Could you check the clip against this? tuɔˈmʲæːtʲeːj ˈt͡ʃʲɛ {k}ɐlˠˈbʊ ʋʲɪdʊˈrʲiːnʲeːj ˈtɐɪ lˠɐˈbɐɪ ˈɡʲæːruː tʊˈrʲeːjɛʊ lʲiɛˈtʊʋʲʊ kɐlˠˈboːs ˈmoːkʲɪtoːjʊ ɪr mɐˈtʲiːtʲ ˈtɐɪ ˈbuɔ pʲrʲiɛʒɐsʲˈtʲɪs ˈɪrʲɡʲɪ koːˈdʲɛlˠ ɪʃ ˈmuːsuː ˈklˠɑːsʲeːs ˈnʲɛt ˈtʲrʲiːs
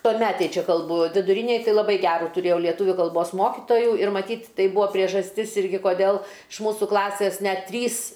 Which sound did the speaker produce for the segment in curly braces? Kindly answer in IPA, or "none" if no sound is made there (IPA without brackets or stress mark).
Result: k